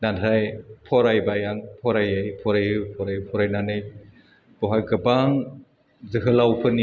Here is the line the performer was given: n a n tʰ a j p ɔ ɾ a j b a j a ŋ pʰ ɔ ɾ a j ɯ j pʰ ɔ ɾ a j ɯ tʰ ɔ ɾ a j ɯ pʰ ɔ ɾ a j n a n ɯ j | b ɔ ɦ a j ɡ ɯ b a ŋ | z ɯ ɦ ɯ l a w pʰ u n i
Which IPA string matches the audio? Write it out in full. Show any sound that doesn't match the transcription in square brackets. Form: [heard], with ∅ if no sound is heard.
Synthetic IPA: n a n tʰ a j [pʰ] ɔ ɾ a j b a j a ŋ pʰ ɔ ɾ a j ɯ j pʰ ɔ ɾ a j ɯ [pʰ] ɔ ɾ a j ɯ pʰ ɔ ɾ a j n a n ɯ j | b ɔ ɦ a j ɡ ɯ b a ŋ | z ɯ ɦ ɯ l a w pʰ [ɯ] n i